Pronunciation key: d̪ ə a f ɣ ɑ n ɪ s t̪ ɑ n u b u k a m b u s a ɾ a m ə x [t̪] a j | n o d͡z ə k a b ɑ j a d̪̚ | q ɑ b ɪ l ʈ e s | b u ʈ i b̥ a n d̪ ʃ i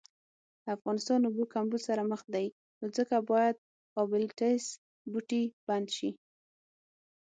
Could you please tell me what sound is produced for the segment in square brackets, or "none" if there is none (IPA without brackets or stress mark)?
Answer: d̪